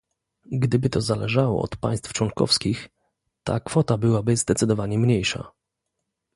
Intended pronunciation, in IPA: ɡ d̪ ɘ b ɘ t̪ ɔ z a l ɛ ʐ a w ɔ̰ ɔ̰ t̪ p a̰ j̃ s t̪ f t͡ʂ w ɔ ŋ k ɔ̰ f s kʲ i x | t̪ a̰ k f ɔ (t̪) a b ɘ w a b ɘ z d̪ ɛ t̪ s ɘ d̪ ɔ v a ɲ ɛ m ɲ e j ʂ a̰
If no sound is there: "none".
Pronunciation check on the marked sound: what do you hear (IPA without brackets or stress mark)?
t̪